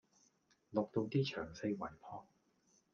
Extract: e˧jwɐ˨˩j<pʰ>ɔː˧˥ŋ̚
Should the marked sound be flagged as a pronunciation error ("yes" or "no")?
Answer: no